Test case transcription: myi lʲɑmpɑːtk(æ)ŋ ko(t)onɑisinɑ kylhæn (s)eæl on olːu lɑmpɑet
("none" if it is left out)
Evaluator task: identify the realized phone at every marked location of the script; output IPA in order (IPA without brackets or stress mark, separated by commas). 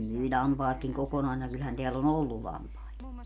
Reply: i, k, t